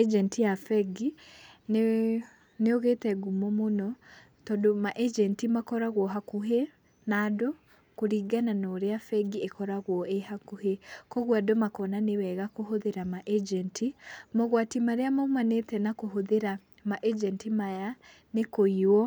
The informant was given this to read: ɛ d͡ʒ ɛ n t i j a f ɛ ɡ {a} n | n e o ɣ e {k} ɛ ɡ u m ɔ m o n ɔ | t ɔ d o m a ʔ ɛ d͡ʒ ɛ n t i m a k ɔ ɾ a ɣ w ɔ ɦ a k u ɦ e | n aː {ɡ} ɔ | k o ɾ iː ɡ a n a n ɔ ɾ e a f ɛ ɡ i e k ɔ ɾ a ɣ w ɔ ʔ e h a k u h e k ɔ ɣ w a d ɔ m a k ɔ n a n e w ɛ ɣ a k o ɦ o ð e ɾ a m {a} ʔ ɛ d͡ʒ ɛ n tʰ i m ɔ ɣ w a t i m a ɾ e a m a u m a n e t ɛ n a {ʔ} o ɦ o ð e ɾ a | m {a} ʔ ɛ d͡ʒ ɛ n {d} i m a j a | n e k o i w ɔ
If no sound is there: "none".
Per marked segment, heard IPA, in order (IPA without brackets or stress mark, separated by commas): i, t, d, a, k, a, t